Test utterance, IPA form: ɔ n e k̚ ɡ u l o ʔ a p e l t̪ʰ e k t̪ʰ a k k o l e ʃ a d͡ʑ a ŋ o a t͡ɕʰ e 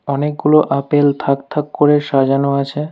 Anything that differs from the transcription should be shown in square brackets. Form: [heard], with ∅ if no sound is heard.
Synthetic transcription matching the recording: ɔ n e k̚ ɡ u l o ʔ a p e l t̪ʰ [a] k t̪ʰ a k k o [ɾ] e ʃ a d͡ʑ a [n] o a t͡ɕʰ e